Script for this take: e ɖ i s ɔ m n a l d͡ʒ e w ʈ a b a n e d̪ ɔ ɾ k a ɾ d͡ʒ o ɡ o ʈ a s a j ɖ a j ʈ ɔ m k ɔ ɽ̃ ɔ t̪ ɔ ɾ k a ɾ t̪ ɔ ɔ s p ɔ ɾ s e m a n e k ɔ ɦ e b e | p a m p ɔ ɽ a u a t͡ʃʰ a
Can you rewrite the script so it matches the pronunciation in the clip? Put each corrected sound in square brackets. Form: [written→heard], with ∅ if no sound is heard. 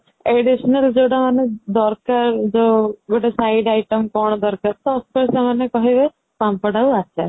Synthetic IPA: e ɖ i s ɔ [m→∅] n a l d͡ʒ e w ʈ a [b→m] a n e d̪ ɔ ɾ k a ɾ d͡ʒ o ɡ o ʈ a s a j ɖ a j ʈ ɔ m k ɔ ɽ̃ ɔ [t̪→d̪] ɔ ɾ k a ɾ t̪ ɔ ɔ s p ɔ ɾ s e m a n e k ɔ ɦ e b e | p a m p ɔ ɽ a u a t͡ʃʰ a